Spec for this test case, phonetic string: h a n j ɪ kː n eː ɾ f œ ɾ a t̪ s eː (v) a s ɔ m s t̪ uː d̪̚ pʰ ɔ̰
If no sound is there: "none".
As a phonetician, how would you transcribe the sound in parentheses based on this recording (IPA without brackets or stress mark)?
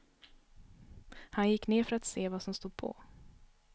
v